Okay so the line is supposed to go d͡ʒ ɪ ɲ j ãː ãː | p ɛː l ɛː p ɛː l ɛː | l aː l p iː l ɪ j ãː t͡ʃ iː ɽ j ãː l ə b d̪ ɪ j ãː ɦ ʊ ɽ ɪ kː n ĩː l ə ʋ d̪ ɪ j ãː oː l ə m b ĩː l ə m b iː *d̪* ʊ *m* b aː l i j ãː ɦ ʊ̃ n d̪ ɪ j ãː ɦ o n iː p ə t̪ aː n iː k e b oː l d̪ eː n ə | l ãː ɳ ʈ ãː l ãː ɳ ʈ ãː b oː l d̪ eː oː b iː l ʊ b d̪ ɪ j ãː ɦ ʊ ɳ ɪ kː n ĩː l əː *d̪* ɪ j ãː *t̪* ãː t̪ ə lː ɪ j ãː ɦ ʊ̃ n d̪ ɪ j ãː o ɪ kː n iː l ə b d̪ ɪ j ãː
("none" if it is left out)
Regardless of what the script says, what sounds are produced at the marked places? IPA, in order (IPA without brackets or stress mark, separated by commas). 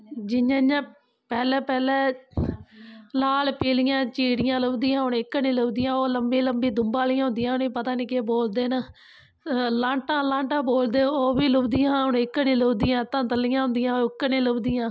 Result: d̪, m, d̪, t̪